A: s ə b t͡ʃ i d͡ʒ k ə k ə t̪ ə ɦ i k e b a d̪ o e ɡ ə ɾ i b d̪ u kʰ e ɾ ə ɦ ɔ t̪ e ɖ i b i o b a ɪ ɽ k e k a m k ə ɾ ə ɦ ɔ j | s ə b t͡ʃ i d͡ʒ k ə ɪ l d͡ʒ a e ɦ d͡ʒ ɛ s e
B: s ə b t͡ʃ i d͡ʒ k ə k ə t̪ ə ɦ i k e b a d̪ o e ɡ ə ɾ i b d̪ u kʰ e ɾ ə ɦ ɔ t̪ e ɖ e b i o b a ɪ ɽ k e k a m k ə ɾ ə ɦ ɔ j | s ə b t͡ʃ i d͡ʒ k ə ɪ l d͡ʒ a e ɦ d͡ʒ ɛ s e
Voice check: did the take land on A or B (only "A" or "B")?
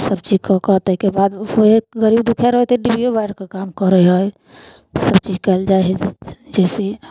A